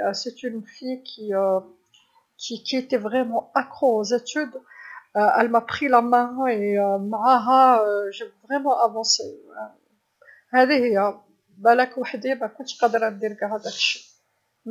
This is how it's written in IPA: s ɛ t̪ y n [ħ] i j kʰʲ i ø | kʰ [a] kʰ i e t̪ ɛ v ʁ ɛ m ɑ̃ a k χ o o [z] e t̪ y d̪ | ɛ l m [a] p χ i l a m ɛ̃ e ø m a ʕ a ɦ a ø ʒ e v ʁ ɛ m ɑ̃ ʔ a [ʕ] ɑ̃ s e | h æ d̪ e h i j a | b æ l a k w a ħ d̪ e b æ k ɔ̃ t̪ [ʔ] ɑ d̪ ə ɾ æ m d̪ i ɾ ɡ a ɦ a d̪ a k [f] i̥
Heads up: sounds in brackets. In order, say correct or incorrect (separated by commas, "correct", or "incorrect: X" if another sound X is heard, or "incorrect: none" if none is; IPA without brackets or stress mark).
incorrect: f, incorrect: i, correct, correct, incorrect: v, incorrect: q, incorrect: ʃ